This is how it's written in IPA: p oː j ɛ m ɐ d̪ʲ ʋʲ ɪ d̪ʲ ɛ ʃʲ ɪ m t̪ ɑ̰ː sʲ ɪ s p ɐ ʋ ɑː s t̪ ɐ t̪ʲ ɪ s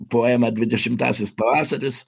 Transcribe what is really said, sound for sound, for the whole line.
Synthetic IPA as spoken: p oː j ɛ m ɐ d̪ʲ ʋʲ ɪ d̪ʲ ɛ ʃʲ ɪ m t̪ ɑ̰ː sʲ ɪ s p ɐ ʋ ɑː s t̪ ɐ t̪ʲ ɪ s

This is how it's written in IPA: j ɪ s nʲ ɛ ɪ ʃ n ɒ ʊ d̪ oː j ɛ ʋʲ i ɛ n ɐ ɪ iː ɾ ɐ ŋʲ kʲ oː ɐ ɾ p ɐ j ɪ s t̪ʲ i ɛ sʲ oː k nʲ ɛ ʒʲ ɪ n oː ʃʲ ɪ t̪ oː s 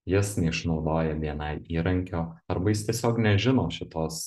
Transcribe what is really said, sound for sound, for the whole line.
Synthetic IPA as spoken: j ɪ s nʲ ɛ ɪ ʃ n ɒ ʊ d̪ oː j ɛ ʋʲ i ɛ n ɐ ɪ iː ɾ ɐ ŋʲ kʲ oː ɐ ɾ b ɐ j ɪ s t̪ʲ i ɛ sʲ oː k nʲ ɛ ʒʲ ɪ n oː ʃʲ ɪ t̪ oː s

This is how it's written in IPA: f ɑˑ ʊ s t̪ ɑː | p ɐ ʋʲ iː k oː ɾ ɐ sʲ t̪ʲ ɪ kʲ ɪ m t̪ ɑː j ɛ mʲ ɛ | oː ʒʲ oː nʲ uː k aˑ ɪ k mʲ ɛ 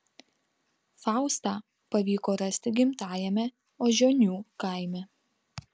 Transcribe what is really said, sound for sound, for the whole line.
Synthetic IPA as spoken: f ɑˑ ʊ s t̪ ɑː | p ɐ ʋʲ iː k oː ɾ ɐ sʲ t̪ʲ ɪ ɡʲ ɪ m t̪ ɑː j ɛ mʲ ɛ | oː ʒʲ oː nʲ uː k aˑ ɪ mʲ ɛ

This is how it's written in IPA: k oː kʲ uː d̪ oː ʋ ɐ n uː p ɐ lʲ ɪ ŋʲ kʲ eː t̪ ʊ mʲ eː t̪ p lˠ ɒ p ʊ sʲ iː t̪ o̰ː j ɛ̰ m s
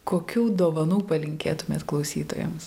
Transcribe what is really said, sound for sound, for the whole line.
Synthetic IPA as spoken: k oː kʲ uː d̪ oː ʋ ɐ n uː p ɐ lʲ ɪ ŋʲ kʲ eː t̪ ʊ mʲ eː t̪ k lˠ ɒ ʊ sʲ iː t̪ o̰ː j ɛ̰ m s

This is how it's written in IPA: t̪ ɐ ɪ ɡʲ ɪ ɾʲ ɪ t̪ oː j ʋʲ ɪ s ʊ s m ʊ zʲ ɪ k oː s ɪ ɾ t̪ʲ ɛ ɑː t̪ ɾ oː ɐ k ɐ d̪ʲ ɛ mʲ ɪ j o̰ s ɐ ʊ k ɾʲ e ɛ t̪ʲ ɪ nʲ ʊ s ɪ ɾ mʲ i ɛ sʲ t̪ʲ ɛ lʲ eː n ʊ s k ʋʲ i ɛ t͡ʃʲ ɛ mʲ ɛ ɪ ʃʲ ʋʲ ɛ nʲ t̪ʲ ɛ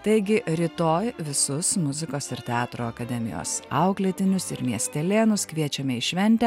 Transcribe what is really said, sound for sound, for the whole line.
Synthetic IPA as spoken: t̪ ɐ ɪ ɡʲ ɪ ɾʲ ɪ t̪ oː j ʋʲ ɪ s ʊ s m ʊ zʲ ɪ k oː s ɪ ɾ t̪ʲ ɛ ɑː t̪ ɾ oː ɐ k ɐ d̪ʲ ɛ mʲ ɪ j o̰ s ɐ ʊ k lʲ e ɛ t̪ʲ ɪ nʲ ʊ s ɪ ɾ mʲ i ɛ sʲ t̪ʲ ɛ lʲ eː n ʊ s k ʋʲ i ɛ t͡ʃʲ ɛ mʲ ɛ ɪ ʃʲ ʋʲ ɛ nʲ t̪ʲ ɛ

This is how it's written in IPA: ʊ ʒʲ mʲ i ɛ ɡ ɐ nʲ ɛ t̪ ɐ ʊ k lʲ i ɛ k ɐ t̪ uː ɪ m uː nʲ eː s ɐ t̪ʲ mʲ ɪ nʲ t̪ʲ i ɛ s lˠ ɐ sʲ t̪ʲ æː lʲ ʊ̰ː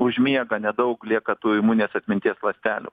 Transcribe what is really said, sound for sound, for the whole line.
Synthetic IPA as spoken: ʊ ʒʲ mʲ i ɛ ɡ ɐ nʲ ɛ d̪ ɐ ʊ k lʲ i ɛ k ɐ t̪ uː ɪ m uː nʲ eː s ɐ t̪ʲ mʲ ɪ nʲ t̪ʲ i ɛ s lˠ ɐ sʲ t̪ʲ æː lʲ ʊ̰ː

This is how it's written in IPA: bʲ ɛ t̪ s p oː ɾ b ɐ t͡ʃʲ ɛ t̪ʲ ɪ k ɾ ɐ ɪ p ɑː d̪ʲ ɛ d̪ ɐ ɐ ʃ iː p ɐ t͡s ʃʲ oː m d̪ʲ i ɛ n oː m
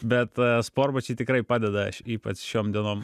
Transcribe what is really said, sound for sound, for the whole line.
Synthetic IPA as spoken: bʲ ɛ t̪ s p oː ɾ b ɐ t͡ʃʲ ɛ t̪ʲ ɪ k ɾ ɐ ɪ p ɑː d̪ʲ ɛ d̪ ɐ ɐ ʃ iː p ɐ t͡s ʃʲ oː m d̪ʲ i ɛ n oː m

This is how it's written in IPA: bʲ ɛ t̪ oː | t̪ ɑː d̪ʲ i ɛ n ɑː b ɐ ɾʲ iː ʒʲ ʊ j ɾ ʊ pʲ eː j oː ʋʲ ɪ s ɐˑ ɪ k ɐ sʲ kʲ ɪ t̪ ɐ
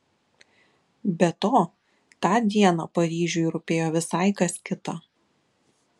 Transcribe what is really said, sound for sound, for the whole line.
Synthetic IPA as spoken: bʲ ɛ t̪ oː | t̪ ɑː d̪ʲ i ɛ n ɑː p ɐ ɾʲ iː ʒʲ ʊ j ɾ ʊ pʲ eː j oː ʋʲ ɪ s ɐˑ ɪ k ɐ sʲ kʲ ɪ t̪ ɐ

